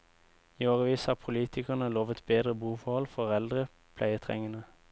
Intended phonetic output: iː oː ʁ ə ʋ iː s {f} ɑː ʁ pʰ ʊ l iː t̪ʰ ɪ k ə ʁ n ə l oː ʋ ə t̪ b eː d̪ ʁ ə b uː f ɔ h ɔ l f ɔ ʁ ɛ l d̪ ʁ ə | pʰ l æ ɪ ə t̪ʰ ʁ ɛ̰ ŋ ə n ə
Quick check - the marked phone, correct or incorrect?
incorrect